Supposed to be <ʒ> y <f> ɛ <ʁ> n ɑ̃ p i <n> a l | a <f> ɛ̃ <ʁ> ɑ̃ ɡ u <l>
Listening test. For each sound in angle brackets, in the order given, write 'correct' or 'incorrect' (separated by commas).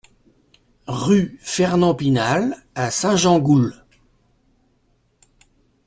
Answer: incorrect, correct, correct, correct, incorrect, incorrect, correct